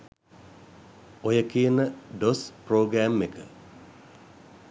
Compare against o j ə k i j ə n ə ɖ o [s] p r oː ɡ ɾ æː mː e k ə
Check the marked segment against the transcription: correct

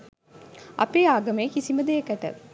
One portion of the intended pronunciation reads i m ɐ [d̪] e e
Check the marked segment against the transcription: correct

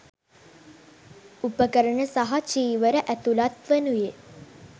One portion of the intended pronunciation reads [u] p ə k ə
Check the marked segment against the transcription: correct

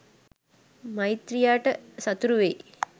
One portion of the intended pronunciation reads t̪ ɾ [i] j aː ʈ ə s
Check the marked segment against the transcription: correct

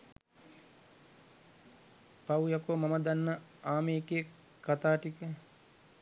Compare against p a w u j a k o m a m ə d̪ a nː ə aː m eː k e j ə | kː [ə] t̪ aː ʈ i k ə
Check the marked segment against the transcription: incorrect: a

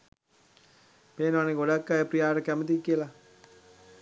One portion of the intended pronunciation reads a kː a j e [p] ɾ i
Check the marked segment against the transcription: correct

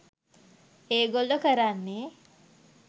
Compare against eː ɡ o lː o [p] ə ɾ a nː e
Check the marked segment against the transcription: incorrect: k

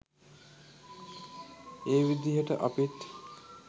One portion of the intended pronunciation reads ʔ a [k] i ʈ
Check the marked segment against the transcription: incorrect: p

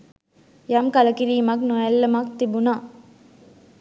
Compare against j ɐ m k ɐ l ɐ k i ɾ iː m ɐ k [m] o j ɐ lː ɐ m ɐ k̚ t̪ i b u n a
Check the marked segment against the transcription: incorrect: n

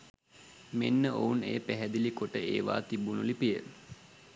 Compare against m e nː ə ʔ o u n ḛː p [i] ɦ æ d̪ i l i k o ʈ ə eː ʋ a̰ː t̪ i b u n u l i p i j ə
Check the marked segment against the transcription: incorrect: æ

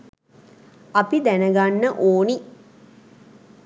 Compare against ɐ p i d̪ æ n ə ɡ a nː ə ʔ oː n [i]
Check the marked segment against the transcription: correct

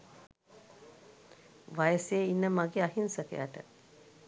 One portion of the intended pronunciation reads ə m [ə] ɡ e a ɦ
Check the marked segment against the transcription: incorrect: a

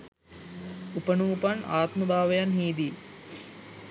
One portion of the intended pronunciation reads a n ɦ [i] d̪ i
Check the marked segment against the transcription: incorrect: iː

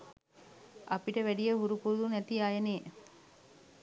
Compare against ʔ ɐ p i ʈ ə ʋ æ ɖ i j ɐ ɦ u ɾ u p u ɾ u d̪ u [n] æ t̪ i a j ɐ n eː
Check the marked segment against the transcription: correct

